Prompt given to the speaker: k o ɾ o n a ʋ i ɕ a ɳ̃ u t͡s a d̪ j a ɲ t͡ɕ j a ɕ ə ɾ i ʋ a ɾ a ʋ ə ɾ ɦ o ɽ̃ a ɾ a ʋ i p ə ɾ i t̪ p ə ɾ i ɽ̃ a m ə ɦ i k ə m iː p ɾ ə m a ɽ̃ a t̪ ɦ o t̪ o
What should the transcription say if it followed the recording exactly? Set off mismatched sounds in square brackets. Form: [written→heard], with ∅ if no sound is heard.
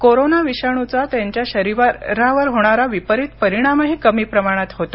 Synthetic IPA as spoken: k o ɾ o n a ʋ i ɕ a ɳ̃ u t͡s a [d̪→t̪] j a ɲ t͡ɕ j a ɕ ə ɾ i ʋ a ɾ a ʋ ə ɾ ɦ o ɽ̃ a ɾ a ʋ i p ə ɾ i t̪ p ə ɾ i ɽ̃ a m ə ɦ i k ə m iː p ɾ ə m a ɽ̃ a t̪ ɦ o t̪ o